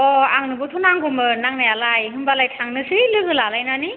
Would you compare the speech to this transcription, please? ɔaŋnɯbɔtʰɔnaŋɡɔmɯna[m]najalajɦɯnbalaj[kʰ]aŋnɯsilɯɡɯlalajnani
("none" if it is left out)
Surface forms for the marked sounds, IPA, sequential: ŋ, tʰ

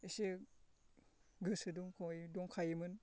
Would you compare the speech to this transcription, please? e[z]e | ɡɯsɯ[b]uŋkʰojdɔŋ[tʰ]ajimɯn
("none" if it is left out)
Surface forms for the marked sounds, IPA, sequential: s, d, kʰ

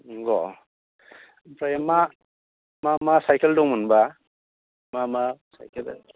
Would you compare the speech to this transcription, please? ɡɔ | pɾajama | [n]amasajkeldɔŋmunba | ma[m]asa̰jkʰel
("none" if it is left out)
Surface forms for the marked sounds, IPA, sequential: m, m

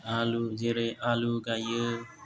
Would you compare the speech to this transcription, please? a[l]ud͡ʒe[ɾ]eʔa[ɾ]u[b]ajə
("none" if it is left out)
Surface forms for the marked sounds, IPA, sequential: l, ɾ, l, ɡ

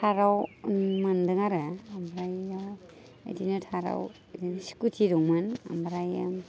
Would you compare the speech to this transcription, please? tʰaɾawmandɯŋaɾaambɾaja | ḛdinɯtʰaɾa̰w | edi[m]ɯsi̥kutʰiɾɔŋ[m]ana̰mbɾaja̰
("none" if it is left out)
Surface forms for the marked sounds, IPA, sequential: n, m

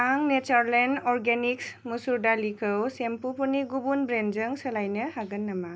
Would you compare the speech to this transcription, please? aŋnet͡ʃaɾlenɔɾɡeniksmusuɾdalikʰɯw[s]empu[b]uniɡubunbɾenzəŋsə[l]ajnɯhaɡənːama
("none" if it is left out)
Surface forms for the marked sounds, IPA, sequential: s, p, l

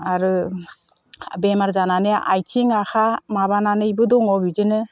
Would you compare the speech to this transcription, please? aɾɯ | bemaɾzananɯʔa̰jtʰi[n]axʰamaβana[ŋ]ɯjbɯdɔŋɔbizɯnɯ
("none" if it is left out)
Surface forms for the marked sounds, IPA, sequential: ŋ, n

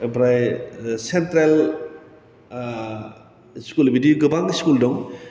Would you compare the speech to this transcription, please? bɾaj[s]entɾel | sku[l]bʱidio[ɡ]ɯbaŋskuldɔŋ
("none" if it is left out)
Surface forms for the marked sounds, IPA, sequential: s, l, ɡ

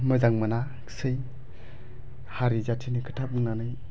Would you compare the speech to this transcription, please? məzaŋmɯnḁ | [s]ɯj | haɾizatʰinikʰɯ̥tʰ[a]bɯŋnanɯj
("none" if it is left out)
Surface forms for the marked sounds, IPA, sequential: s, a

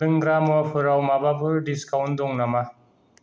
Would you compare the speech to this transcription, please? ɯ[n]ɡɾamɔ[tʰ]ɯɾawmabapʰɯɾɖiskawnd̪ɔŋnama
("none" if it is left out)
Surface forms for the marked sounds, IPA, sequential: ŋ, pʰ

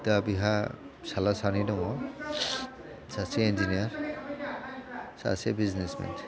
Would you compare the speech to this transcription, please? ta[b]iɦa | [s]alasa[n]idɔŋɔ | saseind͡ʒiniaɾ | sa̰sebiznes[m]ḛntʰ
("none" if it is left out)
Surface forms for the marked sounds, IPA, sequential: b, s, n, m

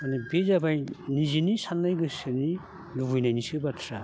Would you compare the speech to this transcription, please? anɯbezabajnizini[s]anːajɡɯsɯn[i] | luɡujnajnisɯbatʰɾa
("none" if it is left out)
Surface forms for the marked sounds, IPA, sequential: s, i

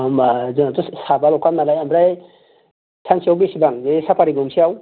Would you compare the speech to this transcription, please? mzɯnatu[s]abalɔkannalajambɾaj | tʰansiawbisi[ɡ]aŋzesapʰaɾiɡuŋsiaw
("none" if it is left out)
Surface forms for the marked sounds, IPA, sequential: s, b

